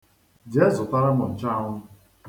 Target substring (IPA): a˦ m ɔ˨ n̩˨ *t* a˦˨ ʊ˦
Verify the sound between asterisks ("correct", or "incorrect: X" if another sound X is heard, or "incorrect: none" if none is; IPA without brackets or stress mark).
incorrect: t͡ʃ